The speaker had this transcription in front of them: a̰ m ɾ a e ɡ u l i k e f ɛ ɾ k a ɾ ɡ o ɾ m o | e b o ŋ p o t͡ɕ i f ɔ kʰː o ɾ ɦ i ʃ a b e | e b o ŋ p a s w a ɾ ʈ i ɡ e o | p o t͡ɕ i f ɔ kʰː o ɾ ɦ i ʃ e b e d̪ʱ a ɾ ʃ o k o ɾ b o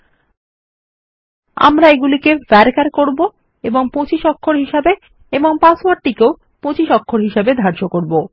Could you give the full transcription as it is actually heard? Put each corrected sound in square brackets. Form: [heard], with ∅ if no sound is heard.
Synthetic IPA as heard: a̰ m ɾ a e ɡ u l i k e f ɛ ɾ k a ɾ [k] o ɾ [b] o | e b o ŋ p o t͡ɕ i [ʃ] ɔ kʰː o ɾ ɦ i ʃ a b e | e b o ŋ p a s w a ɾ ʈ i [k] e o | p o t͡ɕ i [ʃ] ɔ kʰː o ɾ ɦ i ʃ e b e d̪ʱ a ɾ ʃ o k o ɾ b o